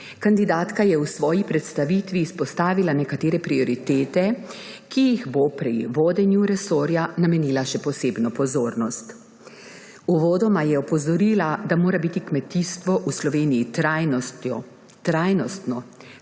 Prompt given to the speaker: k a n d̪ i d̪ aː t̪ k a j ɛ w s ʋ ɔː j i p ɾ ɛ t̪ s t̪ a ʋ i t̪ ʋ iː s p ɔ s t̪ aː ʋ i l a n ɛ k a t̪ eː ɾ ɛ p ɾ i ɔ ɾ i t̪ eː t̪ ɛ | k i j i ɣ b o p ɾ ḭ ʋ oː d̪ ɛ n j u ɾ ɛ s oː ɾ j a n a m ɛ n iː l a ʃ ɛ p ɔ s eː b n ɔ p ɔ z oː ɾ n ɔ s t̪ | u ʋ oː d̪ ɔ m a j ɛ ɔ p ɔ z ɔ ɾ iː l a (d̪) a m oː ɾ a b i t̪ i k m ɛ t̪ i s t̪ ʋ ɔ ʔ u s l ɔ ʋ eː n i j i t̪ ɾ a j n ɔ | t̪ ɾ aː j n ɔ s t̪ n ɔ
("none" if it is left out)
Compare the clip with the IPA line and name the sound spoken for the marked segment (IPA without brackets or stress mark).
d̪